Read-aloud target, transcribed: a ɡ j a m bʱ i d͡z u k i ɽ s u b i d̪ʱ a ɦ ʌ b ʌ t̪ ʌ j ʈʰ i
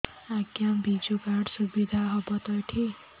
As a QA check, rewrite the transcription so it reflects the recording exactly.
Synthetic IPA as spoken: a ɡ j a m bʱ i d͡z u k a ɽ s u b i d̪ʱ a ɦ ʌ b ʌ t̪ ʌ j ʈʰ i